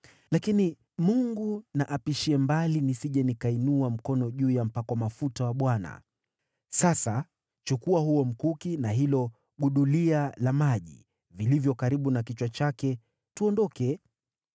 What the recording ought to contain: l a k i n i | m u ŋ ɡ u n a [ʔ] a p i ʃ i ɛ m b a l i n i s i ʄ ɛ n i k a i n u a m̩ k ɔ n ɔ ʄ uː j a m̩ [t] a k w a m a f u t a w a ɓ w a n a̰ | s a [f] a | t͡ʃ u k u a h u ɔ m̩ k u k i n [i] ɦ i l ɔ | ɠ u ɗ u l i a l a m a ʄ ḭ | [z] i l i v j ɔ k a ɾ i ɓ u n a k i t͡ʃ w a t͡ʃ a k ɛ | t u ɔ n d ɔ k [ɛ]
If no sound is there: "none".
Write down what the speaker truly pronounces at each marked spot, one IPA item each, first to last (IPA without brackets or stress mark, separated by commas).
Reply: ʔ, p, s, a, v, ɛ